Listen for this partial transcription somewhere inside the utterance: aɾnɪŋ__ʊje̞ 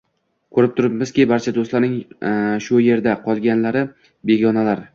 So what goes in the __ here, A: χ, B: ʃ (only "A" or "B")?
B